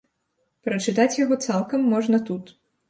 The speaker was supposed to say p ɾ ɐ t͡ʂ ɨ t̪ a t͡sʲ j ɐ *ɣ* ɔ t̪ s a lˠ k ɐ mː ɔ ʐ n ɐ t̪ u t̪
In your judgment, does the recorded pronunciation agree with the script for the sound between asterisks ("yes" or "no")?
yes